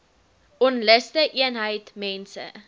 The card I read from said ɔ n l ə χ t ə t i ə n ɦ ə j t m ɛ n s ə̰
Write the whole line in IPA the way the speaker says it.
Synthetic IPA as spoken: ɔ n l ə s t ə ʔ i ə n ɦ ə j t m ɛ n s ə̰